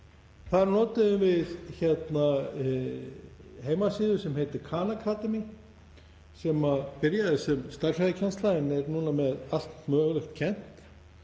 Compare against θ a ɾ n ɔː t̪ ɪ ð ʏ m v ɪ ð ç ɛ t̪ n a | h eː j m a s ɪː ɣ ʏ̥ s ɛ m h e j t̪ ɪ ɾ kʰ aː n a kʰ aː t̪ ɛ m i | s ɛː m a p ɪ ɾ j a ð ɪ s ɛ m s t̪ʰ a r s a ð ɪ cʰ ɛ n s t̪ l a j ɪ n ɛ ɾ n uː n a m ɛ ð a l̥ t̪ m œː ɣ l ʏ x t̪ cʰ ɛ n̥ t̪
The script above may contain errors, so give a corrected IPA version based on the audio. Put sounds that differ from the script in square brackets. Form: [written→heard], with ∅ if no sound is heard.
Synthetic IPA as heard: θ a ɾ n ɔː t̪ ɪ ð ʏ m v ɪ ð ç ɛ t̪ n a | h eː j m a s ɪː [ɣ→ð] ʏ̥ s ɛ m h e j t̪ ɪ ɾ kʰ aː n a kʰ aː t̪ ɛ m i | s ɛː m a p ɪ ɾ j a ð ɪ s ɛ m s [t̪ʰ→t̪] a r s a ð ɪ cʰ ɛ n s t̪ l a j ɪ n ɛ ɾ n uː n a m ɛ ð a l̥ t̪ m œː ɣ l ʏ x t̪ cʰ ɛ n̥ t̪